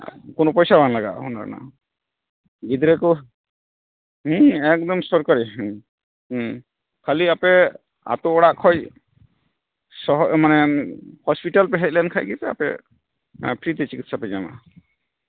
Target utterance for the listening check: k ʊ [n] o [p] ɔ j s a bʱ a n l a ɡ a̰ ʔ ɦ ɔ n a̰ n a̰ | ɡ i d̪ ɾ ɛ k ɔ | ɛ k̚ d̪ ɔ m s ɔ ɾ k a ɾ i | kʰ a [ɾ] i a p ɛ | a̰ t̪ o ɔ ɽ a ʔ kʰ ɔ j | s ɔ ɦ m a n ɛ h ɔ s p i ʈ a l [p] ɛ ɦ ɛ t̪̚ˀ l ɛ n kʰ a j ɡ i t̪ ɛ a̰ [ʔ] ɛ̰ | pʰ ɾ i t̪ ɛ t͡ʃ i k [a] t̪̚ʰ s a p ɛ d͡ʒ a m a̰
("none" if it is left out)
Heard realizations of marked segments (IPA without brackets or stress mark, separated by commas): n, p, l, p, p, i